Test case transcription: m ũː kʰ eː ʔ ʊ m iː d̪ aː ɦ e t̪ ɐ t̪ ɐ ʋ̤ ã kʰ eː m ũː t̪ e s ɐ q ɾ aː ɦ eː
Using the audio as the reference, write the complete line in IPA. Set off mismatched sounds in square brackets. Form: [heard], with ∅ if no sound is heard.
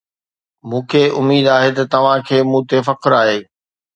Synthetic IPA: m ũː kʰ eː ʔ ʊ m iː d̪ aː ɦ e t̪ ɐ t̪ ɐ ʋ̤ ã kʰ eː m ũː t̪ e [f] ɐ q ɾ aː ɦ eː